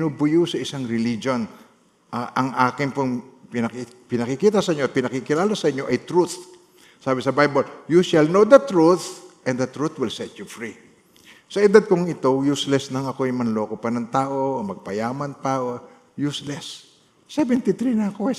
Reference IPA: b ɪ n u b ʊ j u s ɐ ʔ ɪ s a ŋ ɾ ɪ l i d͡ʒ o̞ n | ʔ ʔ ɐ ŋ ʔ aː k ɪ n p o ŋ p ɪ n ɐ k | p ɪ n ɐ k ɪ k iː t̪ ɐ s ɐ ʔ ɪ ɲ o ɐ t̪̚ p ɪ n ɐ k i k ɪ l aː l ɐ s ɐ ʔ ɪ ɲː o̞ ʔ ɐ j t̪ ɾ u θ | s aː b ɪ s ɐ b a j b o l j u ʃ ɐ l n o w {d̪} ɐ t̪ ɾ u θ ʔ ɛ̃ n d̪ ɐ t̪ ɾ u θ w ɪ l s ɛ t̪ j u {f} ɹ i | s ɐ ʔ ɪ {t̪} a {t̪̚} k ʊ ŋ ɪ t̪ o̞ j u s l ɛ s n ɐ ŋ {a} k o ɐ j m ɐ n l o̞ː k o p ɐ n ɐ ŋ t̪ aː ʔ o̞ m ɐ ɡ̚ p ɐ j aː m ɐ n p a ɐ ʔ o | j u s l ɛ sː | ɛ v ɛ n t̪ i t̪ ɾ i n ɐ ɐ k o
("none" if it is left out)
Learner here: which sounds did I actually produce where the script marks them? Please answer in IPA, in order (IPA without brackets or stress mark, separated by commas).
d̪, f, d̪, d̪̚, ɐ